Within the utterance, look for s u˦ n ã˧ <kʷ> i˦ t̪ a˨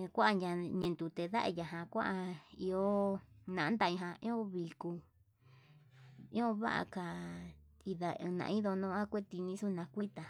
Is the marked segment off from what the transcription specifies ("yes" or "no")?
no